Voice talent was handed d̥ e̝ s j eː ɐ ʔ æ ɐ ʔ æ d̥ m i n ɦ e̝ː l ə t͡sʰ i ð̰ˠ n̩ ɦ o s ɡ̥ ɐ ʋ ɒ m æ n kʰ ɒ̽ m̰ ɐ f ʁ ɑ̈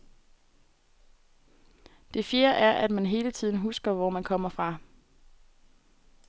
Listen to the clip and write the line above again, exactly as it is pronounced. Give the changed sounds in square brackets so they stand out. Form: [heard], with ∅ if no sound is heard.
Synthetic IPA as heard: d̥ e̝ [f] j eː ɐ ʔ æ ɐ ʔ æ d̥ m [æ] n ɦ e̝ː l ə t͡sʰ i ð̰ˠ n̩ ɦ [u] s ɡ̥ ɐ ʋ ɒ m æ n kʰ ɒ̽ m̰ ɐ f ʁ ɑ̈